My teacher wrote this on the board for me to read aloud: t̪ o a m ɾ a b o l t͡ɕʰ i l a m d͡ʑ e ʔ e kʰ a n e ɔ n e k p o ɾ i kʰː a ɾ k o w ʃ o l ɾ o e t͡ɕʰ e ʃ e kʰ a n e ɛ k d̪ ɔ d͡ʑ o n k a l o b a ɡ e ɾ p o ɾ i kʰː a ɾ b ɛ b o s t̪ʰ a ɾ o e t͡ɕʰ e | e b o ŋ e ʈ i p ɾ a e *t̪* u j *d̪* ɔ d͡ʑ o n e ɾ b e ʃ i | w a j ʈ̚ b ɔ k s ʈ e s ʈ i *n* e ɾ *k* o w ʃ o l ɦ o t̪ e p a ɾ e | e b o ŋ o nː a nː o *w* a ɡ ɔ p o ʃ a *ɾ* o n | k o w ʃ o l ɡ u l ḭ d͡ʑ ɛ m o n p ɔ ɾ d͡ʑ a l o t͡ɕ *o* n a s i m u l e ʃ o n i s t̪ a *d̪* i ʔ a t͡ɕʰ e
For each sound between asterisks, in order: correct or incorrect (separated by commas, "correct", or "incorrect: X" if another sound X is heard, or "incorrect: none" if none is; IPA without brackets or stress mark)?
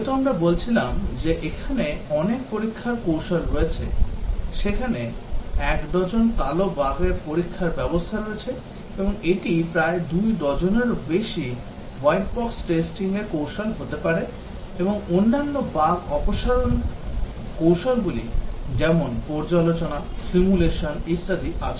incorrect: d̪, correct, incorrect: ŋ, correct, incorrect: b, correct, correct, correct